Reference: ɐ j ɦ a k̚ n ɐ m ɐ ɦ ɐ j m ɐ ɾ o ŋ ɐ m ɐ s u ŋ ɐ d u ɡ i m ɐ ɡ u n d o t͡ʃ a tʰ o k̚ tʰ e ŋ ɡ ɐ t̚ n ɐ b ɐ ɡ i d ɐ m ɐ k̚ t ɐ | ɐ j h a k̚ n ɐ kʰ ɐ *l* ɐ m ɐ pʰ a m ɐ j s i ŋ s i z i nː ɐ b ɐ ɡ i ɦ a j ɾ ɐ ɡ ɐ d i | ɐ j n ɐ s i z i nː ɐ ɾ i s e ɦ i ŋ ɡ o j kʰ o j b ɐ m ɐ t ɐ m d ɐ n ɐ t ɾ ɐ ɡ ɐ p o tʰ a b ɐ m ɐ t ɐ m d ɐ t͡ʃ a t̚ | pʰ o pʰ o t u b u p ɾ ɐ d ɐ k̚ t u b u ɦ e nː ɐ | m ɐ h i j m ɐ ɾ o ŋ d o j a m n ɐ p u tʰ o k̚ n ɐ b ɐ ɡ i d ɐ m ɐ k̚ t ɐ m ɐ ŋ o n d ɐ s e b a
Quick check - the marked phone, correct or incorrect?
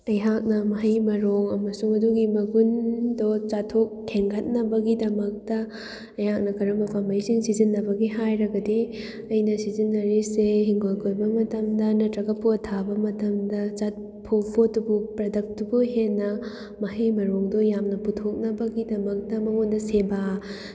incorrect